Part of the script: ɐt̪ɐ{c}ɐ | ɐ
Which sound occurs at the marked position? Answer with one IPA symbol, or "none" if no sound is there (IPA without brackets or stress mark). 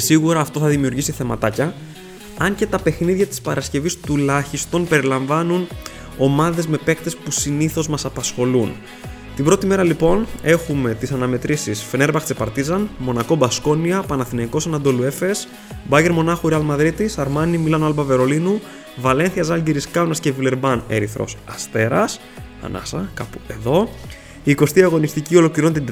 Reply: c